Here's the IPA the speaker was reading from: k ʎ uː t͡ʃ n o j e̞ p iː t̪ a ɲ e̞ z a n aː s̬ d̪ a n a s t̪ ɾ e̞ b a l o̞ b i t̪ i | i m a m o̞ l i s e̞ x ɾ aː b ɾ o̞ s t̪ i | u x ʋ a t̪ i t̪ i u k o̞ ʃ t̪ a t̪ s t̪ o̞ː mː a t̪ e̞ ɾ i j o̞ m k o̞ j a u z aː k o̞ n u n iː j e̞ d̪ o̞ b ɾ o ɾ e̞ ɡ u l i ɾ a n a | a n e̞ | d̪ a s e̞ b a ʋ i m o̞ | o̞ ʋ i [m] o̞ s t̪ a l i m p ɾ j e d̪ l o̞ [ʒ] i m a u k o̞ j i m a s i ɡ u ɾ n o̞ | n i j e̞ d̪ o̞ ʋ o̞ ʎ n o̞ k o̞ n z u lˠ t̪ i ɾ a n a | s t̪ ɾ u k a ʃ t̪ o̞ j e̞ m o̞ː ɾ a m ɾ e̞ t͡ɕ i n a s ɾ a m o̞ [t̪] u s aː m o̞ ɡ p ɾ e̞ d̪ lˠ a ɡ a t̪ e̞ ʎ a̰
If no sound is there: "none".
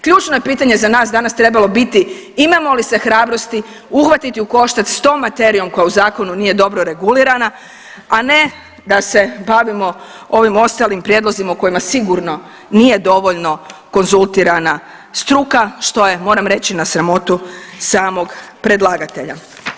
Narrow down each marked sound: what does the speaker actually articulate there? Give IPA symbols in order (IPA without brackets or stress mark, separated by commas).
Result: m, z, t̪